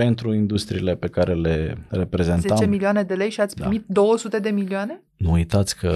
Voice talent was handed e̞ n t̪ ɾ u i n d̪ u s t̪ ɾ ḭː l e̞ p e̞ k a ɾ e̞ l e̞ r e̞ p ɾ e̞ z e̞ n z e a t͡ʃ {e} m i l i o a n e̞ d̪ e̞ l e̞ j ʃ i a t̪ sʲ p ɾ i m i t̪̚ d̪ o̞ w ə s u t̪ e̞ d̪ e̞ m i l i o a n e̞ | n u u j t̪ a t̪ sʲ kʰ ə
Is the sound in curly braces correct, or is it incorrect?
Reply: correct